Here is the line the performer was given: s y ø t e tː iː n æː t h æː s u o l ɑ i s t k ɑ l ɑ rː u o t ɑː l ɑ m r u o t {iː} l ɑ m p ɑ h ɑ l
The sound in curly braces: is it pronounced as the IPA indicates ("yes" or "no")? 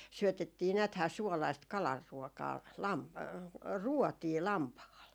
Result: yes